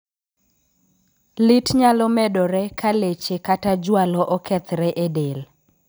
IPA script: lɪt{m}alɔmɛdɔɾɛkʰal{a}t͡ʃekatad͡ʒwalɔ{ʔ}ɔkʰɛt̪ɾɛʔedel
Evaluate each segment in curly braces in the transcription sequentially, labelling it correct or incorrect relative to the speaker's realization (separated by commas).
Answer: incorrect, incorrect, correct